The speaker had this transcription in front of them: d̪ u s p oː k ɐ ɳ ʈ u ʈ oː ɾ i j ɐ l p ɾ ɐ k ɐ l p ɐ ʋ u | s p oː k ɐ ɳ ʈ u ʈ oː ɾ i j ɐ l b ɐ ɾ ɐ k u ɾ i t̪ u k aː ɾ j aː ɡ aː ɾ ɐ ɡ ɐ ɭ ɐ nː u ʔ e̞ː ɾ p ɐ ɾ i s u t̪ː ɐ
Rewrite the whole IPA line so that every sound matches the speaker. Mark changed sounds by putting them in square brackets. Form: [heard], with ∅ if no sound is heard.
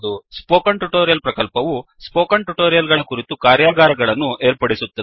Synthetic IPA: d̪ u s p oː k ɐ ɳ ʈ u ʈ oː ɾ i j ɐ l p ɾ ɐ k ɐ l p ɐ ʋ u | s p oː k ɐ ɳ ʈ u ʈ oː ɾ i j ɐ l [ɡ] ɐ [ɭ] ɐ k u ɾ i t̪ u k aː ɾ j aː ɡ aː ɾ ɐ ɡ ɐ ɭ ɐ nː u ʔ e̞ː ɾ p ɐ [ɽ] i s u t̪ː ɐ